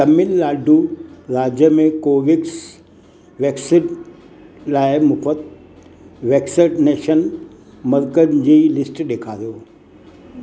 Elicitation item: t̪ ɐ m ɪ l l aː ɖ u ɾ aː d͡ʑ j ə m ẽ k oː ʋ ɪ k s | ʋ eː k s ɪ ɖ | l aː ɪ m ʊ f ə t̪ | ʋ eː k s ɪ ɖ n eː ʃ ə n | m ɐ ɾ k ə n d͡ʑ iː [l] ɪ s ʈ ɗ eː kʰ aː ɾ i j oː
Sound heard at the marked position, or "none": l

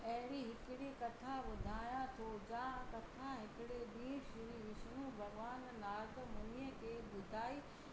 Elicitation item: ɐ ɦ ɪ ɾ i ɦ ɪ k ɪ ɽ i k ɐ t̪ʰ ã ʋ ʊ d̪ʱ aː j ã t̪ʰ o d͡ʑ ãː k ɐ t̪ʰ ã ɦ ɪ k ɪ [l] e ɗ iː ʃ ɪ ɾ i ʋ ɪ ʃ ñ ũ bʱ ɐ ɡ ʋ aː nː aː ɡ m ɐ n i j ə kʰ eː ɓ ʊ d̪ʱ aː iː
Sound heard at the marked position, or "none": ɽ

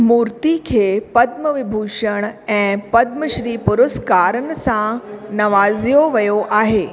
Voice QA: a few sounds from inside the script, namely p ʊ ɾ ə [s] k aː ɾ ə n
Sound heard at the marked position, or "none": s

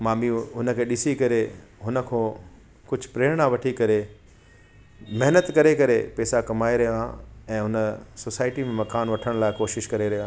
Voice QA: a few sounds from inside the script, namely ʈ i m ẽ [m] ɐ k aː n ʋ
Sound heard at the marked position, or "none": m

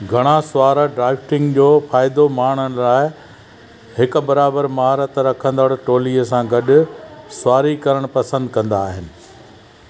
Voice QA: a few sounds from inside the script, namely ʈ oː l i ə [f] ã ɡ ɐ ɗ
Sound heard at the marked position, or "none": s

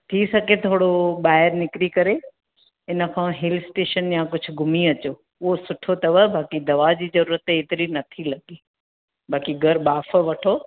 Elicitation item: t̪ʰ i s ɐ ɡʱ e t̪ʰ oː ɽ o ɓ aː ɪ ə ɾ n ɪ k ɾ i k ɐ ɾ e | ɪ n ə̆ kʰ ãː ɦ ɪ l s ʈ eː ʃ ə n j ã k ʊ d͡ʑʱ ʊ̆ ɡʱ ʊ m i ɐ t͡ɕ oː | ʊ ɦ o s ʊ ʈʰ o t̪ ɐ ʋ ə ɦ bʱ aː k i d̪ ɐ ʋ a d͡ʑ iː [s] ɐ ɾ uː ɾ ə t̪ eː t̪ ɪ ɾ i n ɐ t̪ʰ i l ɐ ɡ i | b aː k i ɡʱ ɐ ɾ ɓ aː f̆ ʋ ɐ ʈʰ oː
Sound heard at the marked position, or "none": z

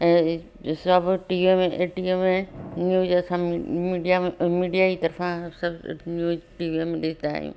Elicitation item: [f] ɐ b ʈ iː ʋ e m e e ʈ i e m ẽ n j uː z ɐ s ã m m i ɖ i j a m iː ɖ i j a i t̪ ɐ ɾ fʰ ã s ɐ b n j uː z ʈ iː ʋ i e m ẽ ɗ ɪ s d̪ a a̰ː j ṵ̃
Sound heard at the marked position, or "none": s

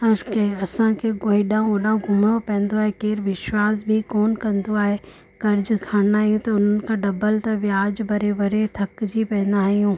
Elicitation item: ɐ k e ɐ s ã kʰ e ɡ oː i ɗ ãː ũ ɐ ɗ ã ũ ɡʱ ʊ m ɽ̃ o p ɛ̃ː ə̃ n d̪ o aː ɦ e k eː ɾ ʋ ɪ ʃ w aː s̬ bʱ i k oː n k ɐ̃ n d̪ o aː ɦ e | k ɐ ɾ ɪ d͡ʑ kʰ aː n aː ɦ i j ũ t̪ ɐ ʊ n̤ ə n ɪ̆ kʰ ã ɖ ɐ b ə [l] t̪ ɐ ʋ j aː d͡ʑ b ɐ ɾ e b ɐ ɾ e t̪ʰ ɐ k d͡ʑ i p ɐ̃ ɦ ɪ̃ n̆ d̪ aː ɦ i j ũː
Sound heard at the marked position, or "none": l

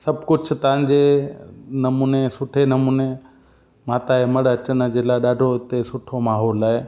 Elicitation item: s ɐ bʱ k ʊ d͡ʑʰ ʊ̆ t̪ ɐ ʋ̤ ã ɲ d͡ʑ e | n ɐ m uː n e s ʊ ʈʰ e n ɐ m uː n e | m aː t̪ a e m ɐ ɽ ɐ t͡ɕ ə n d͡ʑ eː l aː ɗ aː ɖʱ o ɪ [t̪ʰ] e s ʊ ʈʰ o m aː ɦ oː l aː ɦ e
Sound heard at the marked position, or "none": t̪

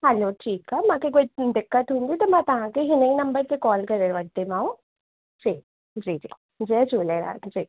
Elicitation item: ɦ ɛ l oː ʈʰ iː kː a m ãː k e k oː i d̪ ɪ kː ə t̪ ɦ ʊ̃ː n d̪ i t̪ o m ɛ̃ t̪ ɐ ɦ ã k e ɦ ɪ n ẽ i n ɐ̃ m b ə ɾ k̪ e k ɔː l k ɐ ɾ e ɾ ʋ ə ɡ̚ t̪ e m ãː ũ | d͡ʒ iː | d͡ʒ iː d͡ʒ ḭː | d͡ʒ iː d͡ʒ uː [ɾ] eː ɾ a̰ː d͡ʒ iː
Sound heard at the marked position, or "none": l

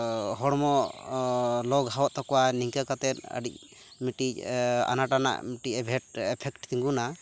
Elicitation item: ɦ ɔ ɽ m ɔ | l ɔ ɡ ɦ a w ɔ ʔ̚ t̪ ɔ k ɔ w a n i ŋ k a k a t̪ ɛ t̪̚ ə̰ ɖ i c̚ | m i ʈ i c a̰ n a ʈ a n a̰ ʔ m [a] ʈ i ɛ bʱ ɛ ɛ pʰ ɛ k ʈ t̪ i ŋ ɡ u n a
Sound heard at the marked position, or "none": i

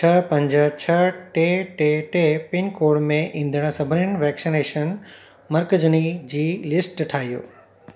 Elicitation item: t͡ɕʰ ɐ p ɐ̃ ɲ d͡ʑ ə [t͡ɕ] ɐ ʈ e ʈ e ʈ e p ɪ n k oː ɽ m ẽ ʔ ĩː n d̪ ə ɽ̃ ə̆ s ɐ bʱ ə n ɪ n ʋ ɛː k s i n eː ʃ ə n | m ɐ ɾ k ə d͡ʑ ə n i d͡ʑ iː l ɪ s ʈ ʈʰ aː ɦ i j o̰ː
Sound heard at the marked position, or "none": t͡ɕʰ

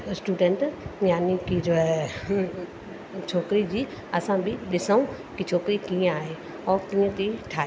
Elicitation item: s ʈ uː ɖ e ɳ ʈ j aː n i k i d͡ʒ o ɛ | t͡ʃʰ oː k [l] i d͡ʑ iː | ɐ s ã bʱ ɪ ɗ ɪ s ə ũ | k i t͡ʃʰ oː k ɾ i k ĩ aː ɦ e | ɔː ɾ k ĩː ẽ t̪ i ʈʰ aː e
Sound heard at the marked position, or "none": ɾ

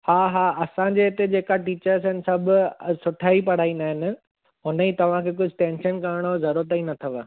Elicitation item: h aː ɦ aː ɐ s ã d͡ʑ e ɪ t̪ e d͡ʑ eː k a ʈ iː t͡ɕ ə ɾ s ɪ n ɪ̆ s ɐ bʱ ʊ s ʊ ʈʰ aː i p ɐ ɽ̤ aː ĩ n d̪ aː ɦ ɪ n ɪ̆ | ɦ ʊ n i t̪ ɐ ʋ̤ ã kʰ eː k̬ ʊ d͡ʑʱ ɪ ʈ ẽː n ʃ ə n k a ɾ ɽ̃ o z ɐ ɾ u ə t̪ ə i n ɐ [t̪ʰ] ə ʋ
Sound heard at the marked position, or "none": t̪ʰ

